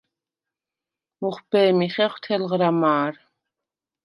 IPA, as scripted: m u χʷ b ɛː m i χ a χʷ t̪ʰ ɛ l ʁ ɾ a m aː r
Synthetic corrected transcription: m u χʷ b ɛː m i χ ɛ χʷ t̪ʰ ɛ l ʁ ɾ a m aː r